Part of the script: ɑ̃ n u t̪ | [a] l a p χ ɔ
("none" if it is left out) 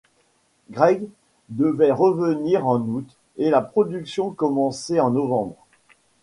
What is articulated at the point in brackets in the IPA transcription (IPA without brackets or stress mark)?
e